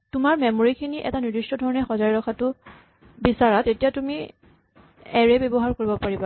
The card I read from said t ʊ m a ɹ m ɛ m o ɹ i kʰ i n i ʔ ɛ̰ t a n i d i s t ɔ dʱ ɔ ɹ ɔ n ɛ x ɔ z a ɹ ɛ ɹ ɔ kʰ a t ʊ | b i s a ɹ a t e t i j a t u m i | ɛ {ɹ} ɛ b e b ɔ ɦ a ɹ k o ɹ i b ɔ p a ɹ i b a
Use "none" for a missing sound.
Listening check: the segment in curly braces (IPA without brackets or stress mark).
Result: ɹ